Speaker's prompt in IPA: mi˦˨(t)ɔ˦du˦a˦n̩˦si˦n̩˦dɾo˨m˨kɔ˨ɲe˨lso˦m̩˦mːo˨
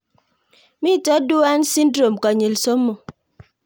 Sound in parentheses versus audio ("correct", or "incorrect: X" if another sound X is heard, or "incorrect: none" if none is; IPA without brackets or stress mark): correct